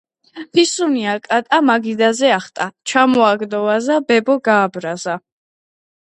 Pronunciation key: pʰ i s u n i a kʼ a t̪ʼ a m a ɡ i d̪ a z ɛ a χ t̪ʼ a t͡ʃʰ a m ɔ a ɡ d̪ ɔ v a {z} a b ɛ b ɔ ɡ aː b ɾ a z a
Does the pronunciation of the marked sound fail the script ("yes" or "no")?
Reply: no